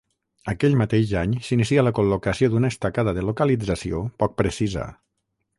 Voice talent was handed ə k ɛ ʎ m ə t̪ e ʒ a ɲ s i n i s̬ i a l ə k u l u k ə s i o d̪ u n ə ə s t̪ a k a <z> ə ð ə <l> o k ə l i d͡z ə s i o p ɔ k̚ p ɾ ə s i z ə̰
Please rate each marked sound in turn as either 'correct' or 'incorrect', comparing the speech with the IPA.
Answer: incorrect, correct

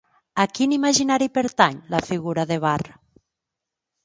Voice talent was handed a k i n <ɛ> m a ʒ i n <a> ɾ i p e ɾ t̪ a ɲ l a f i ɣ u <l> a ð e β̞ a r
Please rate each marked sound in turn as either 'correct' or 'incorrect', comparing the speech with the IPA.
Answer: incorrect, correct, incorrect

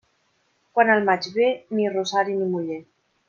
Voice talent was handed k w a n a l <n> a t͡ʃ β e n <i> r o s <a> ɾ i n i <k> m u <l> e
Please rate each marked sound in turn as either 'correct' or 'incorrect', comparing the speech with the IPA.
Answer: incorrect, correct, correct, incorrect, incorrect

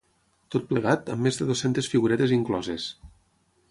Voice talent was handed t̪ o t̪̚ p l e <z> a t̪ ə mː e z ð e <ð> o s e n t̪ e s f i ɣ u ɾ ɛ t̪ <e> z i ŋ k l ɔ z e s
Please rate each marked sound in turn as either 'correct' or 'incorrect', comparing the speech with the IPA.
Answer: incorrect, correct, correct

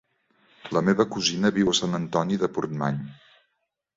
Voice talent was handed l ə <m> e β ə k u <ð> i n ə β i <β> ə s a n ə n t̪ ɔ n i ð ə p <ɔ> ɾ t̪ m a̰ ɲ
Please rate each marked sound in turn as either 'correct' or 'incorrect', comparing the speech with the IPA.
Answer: correct, incorrect, incorrect, incorrect

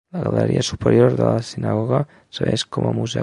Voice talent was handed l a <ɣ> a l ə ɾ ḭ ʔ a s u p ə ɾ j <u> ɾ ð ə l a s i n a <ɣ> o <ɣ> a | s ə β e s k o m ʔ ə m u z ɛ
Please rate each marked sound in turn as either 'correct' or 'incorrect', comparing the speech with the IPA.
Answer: correct, incorrect, correct, correct

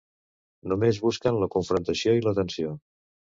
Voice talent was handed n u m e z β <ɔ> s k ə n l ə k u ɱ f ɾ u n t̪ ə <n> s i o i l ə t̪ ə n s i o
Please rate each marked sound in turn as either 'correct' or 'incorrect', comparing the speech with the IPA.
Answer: incorrect, incorrect

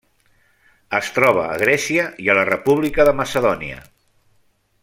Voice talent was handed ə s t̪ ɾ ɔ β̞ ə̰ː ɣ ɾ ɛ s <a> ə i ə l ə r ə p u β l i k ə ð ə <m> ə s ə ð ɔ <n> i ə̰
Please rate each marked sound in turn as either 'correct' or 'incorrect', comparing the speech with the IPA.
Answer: incorrect, correct, correct

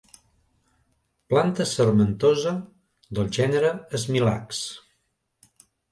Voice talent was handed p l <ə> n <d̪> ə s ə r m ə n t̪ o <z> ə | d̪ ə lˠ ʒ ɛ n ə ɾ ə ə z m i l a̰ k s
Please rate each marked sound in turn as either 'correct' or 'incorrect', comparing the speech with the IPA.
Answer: incorrect, incorrect, correct

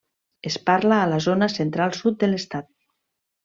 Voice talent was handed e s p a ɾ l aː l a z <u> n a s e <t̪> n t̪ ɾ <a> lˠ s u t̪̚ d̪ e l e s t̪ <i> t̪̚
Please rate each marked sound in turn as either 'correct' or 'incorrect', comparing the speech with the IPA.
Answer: incorrect, incorrect, correct, incorrect

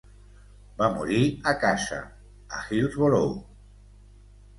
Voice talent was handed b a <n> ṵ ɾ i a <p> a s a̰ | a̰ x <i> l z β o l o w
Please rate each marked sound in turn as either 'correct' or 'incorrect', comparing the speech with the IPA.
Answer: incorrect, incorrect, correct

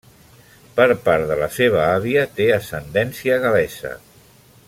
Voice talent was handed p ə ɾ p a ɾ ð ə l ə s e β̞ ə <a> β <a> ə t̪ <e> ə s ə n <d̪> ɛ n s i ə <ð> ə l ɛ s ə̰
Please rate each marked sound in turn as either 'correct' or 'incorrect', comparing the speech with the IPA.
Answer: correct, incorrect, correct, correct, incorrect

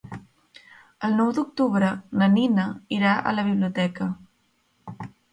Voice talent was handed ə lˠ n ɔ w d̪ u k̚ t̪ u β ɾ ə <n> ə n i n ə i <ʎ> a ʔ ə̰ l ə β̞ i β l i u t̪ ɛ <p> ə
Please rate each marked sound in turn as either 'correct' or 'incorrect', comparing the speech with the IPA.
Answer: correct, incorrect, incorrect

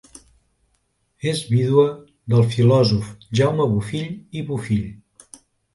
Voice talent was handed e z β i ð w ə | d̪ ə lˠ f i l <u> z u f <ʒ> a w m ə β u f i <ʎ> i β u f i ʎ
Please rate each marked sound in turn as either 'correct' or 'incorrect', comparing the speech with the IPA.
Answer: incorrect, correct, correct

